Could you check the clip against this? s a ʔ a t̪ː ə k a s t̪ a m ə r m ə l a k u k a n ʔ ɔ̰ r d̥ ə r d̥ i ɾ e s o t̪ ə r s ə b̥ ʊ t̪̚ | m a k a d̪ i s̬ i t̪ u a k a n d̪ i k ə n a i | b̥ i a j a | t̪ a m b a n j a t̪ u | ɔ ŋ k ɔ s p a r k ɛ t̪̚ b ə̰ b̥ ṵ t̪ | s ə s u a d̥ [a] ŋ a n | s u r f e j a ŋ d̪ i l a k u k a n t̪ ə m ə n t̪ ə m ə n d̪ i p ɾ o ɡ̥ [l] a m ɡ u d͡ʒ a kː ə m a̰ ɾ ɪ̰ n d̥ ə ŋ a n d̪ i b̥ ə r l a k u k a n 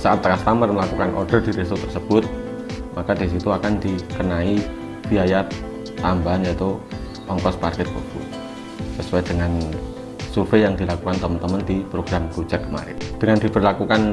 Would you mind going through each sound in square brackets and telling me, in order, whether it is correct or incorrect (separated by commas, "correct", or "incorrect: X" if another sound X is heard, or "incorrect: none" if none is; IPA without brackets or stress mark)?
incorrect: ə, incorrect: ɾ